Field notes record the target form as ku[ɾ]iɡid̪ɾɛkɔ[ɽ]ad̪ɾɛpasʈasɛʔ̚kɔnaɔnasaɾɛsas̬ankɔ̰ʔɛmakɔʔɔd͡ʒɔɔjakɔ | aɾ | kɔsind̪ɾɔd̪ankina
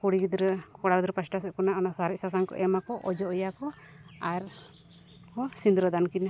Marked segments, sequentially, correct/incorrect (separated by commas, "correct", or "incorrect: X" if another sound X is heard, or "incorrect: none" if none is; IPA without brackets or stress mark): incorrect: ɽ, correct